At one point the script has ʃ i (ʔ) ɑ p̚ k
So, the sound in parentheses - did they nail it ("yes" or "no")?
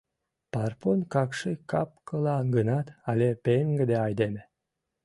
no